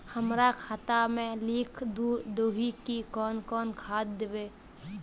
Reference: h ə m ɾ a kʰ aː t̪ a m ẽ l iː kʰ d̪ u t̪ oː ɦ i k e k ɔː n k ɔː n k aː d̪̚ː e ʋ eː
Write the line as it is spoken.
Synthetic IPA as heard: h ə m ɾ a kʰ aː t̪ a m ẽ l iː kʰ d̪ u d̪ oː ɦ i k i k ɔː n k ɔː n kʰ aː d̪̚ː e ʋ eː